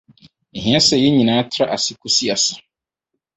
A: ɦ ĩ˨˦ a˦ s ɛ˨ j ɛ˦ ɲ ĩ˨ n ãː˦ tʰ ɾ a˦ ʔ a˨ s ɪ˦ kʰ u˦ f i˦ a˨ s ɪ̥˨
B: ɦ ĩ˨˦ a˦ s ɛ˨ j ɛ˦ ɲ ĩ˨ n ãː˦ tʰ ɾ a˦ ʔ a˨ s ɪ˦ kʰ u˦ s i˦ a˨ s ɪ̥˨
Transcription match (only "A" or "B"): B